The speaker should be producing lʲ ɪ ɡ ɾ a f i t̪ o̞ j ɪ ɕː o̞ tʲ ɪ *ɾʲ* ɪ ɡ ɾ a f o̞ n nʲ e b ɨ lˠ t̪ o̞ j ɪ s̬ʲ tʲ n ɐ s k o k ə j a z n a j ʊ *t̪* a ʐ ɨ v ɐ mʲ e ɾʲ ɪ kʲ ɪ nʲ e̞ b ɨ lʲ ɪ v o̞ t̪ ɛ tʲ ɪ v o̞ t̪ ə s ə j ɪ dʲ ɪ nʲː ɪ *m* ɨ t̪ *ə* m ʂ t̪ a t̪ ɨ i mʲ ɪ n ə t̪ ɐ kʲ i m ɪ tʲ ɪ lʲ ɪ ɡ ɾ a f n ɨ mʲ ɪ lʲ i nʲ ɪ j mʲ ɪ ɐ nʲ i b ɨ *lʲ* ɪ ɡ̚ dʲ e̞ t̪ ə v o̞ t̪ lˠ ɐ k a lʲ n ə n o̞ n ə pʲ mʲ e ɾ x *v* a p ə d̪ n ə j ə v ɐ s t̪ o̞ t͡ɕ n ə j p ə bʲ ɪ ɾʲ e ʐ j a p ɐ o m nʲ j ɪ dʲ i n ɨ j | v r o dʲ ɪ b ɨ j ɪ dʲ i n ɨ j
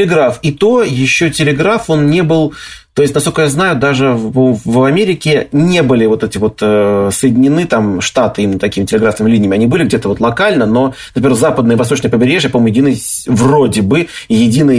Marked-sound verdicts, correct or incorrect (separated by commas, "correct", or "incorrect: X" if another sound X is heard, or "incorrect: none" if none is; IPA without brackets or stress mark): incorrect: lʲ, incorrect: d̪, incorrect: n, incorrect: a, correct, incorrect: z